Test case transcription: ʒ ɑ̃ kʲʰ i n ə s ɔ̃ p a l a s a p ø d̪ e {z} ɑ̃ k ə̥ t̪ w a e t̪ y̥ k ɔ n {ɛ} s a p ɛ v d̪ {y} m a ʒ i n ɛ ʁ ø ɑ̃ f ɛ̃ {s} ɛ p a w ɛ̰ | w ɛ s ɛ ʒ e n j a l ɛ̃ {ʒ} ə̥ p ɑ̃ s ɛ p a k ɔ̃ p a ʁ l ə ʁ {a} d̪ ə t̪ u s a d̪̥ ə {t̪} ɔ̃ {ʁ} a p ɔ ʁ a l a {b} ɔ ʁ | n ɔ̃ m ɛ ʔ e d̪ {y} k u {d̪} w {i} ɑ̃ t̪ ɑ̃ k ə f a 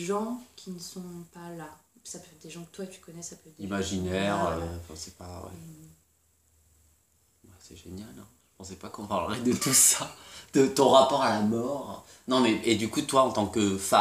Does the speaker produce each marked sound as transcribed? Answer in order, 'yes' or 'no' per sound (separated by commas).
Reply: no, yes, no, yes, yes, no, yes, yes, no, yes, no, no